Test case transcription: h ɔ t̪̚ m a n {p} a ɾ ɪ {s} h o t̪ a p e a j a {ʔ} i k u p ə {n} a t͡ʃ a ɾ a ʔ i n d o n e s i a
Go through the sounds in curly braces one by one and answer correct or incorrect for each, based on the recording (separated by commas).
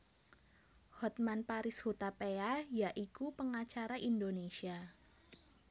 correct, correct, correct, incorrect